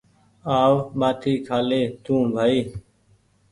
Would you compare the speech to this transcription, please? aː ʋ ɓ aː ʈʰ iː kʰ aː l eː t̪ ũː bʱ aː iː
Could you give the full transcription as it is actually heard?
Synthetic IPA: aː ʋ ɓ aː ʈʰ iː kʰ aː l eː t̪ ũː bʱ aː iː